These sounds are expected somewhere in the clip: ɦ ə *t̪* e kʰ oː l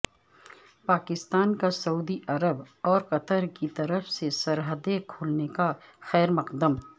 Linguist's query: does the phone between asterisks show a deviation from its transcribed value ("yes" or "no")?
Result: yes